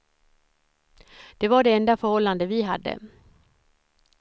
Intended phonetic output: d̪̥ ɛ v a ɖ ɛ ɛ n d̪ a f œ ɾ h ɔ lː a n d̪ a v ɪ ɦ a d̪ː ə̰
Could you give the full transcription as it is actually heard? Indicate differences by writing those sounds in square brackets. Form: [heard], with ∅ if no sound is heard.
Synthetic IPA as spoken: d̪̥ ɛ v a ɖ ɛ ɛ n d̪ a f œ ɾ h ɔ lː a n d̪ [ə] v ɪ ɦ a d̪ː ə̰